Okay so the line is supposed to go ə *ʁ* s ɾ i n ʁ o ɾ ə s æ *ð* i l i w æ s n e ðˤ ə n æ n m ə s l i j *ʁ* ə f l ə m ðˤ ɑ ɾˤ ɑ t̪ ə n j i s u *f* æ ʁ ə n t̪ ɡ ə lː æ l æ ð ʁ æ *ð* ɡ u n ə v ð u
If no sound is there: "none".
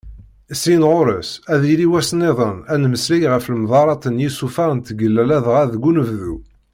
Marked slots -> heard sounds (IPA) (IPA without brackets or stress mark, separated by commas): none, ð, ʁ, f, ð